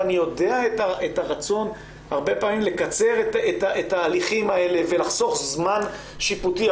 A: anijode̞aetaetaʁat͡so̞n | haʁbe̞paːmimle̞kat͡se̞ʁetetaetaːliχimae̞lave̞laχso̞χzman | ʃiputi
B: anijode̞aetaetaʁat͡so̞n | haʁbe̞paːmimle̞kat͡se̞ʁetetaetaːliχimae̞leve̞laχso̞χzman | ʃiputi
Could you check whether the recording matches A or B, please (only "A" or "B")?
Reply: B